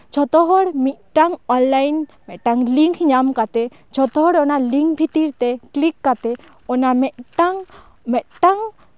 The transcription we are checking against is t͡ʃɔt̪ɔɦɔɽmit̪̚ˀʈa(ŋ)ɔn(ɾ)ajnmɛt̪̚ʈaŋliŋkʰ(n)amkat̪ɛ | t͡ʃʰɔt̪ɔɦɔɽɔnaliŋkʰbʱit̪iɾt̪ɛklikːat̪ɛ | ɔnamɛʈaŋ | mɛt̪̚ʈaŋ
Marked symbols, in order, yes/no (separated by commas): yes, no, no